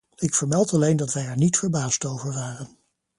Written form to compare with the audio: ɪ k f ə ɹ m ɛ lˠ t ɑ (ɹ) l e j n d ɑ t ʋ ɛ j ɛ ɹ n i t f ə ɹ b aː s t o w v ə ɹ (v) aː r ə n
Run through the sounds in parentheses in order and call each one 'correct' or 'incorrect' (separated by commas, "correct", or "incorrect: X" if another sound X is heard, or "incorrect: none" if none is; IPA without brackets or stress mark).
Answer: incorrect: none, incorrect: ʋ